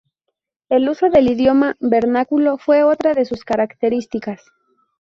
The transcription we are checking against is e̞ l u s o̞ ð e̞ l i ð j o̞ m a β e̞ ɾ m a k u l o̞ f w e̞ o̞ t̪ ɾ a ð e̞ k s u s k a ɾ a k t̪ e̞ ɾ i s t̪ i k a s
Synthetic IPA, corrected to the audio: e̞ l u s o̞ ð e̞ l i ð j o̞ m a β e̞ ɾ n a k u l o̞ f w e̞ o̞ t̪ ɾ a ð e̞ s u s k a ɾ a k t̪ e̞ ɾ i s t̪ i k a s